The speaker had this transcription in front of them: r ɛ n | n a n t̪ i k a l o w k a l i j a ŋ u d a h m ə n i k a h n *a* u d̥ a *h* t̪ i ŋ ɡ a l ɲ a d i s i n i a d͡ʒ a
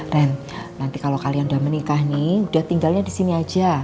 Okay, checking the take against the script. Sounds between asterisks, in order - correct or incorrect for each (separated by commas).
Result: incorrect, correct